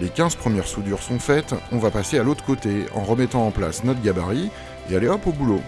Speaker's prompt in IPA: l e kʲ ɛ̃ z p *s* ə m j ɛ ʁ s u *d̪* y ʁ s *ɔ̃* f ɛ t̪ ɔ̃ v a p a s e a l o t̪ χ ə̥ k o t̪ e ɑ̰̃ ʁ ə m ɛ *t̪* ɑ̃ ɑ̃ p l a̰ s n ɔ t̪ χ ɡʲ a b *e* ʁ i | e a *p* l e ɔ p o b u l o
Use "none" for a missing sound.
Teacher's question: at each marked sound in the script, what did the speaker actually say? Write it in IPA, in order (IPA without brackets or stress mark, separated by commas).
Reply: χ, d̪, ɔ̃, t̪, a, none